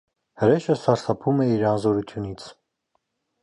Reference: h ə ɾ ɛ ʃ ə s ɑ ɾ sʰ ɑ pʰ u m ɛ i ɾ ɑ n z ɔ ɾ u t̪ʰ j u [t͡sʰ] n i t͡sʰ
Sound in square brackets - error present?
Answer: yes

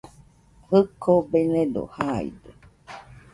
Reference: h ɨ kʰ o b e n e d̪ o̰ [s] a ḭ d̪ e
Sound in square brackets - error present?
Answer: yes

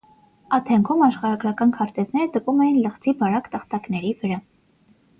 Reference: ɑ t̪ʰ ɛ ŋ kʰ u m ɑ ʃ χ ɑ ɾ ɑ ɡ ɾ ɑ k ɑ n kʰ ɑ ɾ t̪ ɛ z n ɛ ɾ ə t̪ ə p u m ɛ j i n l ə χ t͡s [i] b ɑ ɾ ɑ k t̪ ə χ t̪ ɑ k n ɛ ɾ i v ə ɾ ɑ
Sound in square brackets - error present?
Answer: no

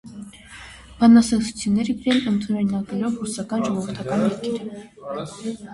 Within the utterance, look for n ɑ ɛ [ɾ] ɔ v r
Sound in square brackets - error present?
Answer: yes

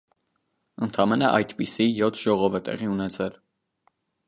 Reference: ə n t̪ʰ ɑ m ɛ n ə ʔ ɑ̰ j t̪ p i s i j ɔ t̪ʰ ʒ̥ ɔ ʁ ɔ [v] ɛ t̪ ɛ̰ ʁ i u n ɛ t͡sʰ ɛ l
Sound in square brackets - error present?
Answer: no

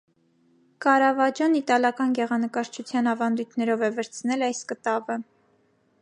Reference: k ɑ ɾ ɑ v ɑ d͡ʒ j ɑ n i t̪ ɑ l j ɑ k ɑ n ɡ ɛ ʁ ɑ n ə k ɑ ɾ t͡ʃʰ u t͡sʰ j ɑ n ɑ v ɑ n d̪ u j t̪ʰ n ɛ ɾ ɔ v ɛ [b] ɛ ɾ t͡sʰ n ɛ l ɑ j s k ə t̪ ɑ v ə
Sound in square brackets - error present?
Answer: yes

